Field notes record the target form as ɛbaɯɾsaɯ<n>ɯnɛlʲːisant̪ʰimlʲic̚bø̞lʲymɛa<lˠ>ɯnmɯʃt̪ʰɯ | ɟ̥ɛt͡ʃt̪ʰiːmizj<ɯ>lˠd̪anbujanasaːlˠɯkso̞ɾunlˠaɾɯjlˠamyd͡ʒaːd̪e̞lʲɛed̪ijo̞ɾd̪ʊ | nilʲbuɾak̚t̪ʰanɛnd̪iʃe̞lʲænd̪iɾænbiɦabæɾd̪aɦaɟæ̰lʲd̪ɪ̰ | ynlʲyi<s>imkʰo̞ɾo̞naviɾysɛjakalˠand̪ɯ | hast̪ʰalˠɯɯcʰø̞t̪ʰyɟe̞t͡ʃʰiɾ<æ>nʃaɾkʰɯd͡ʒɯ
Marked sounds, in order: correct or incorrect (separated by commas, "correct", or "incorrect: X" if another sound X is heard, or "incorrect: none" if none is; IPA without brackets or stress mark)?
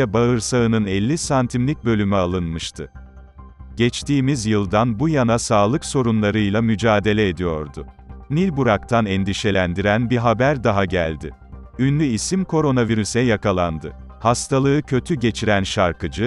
correct, correct, correct, correct, correct